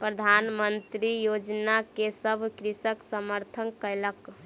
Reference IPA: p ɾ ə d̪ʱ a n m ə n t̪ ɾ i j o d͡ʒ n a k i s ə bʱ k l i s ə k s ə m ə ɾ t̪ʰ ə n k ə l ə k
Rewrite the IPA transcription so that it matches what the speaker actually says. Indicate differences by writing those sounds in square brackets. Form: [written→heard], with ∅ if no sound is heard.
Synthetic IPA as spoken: p ɾ ə d̪ʱ a n m ə n t̪ ɾ i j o d͡ʒ n a k [i→e] s ə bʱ k [l→ɾ] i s ə k s ə m ə ɾ t̪ʰ ə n k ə l ə k